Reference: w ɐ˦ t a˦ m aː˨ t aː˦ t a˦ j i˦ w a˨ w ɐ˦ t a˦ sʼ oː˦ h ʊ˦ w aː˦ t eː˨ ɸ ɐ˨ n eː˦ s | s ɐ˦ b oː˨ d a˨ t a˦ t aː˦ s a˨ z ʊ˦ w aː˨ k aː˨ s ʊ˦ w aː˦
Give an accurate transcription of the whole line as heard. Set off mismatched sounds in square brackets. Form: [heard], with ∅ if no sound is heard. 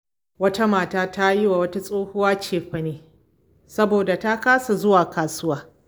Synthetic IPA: w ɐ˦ t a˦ m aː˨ t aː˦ t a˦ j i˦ w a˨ w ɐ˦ t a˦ sʼ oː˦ h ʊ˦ w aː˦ [t͡ʃ] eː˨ ɸ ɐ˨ n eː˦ [∅] | s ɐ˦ b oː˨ d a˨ t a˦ [k] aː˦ s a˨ z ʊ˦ w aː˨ k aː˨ s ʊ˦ w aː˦